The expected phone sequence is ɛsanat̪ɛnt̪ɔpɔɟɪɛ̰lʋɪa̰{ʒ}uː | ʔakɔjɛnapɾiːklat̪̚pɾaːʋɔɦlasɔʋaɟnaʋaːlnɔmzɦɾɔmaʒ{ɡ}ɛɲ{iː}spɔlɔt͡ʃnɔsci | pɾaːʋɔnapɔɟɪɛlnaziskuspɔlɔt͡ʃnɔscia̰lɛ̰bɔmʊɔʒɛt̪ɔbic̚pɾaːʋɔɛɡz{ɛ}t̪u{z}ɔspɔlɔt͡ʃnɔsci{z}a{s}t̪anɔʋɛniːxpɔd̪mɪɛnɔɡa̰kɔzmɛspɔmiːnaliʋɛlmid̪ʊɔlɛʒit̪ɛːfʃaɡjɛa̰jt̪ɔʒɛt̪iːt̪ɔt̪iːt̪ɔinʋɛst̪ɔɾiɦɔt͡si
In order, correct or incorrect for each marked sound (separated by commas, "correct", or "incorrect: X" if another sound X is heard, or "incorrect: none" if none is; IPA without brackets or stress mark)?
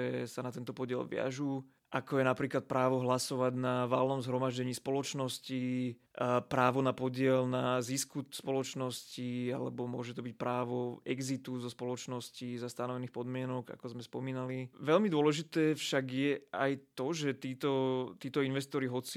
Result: correct, incorrect: ɟ, correct, incorrect: i, correct, correct, correct